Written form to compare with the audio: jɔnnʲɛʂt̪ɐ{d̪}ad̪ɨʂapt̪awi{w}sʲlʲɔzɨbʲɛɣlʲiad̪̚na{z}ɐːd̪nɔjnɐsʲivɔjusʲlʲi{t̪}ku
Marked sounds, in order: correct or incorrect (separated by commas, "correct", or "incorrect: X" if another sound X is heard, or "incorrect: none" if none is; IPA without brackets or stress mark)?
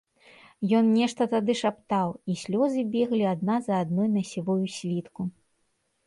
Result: incorrect: t̪, incorrect: none, correct, correct